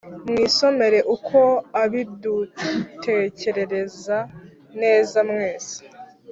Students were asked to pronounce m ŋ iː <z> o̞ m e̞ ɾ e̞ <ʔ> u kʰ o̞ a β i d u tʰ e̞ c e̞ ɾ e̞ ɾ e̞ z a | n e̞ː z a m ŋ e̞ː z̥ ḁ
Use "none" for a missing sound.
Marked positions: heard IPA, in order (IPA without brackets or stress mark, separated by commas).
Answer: s, ʔ